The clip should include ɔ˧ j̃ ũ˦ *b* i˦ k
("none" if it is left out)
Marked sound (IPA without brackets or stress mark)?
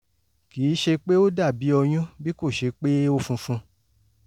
b